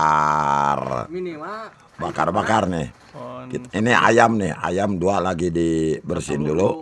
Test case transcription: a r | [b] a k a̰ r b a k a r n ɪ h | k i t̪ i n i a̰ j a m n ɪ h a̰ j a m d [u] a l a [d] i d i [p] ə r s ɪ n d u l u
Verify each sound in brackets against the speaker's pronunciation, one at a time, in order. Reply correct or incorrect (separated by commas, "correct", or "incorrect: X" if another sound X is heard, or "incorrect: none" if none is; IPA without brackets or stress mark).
correct, correct, incorrect: ɡ, incorrect: b